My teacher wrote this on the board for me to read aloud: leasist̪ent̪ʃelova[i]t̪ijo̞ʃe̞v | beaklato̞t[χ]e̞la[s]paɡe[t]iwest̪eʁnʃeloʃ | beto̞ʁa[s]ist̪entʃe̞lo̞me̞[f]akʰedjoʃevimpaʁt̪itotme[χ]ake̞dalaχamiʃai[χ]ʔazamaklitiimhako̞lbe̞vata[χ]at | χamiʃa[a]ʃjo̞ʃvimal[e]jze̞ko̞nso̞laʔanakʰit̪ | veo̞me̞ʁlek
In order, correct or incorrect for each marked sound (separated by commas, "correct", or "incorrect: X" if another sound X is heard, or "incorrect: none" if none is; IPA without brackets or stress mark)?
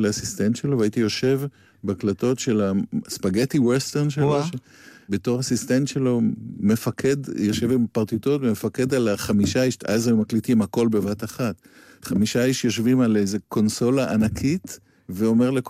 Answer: correct, incorrect: ʃ, correct, correct, correct, correct, incorrect: f, incorrect: ʃ, correct, incorrect: i, correct